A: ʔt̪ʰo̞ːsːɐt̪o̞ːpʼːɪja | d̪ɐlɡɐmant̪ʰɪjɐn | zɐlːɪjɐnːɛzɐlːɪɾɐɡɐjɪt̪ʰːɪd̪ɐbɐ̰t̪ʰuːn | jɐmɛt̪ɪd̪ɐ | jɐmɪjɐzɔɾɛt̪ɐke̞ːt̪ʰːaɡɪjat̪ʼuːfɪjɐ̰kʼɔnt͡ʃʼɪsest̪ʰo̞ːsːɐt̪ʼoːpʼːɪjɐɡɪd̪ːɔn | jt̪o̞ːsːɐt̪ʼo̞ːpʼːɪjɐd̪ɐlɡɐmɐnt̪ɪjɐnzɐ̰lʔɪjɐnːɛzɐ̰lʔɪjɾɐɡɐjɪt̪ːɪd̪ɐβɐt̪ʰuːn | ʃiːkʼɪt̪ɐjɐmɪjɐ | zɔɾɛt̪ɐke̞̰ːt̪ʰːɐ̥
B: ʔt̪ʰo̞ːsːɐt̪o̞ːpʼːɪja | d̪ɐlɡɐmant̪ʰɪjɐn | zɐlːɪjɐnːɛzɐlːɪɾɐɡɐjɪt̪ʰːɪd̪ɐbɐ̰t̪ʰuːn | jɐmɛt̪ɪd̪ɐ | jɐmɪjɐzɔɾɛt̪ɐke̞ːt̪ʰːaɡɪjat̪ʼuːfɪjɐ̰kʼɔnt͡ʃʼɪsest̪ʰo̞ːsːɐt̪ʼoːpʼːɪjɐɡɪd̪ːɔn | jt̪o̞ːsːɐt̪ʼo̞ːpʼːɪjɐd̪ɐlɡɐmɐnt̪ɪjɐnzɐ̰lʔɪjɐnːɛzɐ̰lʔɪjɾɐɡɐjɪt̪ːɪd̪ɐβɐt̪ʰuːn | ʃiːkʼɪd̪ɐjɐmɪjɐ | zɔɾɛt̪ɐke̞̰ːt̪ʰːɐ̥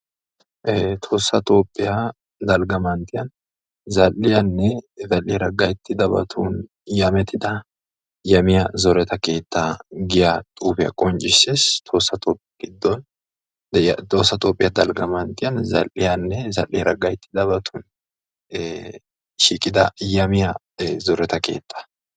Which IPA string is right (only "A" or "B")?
B